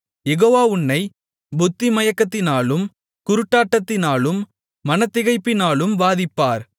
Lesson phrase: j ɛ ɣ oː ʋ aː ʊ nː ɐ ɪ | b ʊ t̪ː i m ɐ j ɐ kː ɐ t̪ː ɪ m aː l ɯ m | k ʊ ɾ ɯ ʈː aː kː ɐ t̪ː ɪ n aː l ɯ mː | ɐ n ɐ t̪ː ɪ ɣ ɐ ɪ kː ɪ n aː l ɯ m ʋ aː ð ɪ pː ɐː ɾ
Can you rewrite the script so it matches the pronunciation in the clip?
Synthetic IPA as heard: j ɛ ɣ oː ʋ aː ʊ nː ɐ ɪ | b ʊ t̪ː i m ɐ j ɐ kː ɐ t̪ː ɪ n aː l ɯ m | k ʊ ɾ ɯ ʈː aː ʈː ɐ t̪ː ɪ n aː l ɯ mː | ɐ n ɐ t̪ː ɪ ɣ ɐ ɪ pː ɪ n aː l ɯ m ʋ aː ð ɪ pː aː ɾ

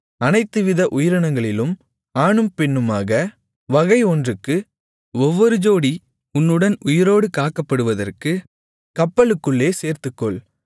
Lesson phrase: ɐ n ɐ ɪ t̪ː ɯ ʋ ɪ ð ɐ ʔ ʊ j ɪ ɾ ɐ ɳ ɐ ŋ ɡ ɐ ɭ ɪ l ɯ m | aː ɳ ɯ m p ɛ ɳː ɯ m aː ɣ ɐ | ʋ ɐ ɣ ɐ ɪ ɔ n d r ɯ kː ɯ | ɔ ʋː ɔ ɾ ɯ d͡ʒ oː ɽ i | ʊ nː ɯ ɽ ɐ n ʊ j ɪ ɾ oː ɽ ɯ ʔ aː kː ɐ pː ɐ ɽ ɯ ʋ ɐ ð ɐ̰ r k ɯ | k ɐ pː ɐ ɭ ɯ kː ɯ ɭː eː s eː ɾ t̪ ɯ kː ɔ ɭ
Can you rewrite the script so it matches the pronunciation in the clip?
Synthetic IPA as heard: ɐ n ɐ ɪ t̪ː ɯ ʋ ɪ ð ɐ ʔ ʊ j ɪ ɾ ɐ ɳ ɐ ŋ ɡ ɐ ɭ ɪ l ɯ m | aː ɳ ɯ m p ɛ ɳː ɯ m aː ɣ ɐ | ʋ ɐ ɣ ɐ ɪ ɔ n d r ɯ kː ɯ | ɔ ʋː ɔ ɾ ɯ d͡ʒ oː ɽ i | ʊ nː ɯ ɽ ɐ n ʊ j ɪ ɾ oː ɽ ɯ k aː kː ɐ pː ɐ ɽ ɯ ʋ ɐ ð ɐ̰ r k ɯ | k ɐ pː ɐ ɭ ɯ kː ɯ ɭː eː s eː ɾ t̪ ɯ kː ɔ ɭ

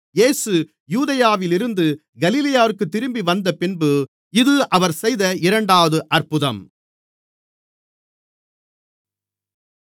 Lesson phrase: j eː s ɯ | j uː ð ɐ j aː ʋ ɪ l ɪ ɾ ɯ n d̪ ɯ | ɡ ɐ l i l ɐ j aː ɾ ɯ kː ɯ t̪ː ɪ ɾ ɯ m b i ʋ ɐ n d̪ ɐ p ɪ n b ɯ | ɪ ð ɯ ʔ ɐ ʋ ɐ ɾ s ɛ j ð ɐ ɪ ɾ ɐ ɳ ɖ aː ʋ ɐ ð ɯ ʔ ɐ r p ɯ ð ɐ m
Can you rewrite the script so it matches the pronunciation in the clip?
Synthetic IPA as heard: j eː s ɯ | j uː ð ɐ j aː ʋ ɪ l ɪ ɾ ɯ n d̪ ɯ | ɡ ɐ l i l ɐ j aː ɾ ɯ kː ɯ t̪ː ɪ ɾ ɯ m b i ʋ ɐ n d̪ ɐ p ɪ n b ɯ | ɪ ð ɯ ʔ ɐ ʋ ɐ ɾ s ɛ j ð ɐ ɪ ɾ ɐ ɳ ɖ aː ʋ ɐ ð ɯ ʔ ɐ r p ɯ ð ɐ m

